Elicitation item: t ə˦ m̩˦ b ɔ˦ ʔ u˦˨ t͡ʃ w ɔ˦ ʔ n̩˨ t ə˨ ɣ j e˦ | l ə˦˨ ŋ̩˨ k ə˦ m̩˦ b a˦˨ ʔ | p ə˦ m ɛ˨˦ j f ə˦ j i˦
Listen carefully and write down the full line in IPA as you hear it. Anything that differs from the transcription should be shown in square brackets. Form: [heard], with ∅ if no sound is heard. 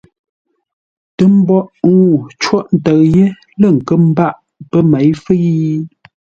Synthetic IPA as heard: t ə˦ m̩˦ b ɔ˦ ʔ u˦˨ t͡ʃ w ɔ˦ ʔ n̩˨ t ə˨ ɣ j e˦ | l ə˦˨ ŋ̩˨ k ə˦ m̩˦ b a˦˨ ʔ | p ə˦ m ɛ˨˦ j f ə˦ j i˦